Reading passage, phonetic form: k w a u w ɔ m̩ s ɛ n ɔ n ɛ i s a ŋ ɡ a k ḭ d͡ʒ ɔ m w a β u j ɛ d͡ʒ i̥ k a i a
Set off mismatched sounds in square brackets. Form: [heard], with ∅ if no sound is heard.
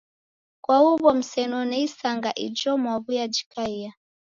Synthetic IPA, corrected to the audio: k w a u [β] ɔ m̩ s ɛ n ɔ n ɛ i s a ŋ ɡ a [ʔ] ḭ d͡ʒ ɔ m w a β u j [a] d͡ʒ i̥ k a i a